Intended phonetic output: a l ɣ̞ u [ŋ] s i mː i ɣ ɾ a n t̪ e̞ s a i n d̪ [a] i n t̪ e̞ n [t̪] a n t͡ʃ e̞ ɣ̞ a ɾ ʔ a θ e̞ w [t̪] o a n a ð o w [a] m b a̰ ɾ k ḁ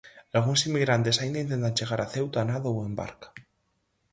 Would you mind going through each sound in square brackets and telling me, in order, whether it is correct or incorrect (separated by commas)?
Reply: incorrect, correct, correct, correct, incorrect